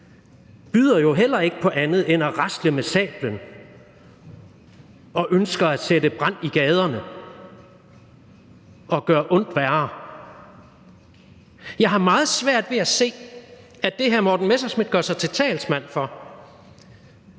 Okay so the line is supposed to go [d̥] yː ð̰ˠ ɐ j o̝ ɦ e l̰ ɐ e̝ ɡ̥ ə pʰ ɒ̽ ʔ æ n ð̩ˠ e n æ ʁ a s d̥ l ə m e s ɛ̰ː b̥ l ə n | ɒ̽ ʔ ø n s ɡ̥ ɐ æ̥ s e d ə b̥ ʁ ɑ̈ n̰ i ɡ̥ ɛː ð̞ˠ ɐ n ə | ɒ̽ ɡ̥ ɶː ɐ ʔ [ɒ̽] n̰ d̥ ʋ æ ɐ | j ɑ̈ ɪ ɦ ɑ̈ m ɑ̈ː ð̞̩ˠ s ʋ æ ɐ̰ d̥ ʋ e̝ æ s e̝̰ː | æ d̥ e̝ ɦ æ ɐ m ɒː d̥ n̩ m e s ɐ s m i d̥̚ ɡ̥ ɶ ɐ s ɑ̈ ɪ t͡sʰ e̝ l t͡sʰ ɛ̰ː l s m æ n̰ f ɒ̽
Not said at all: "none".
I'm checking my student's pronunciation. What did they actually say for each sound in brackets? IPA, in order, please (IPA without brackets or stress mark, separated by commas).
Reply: b̥, ɔ̽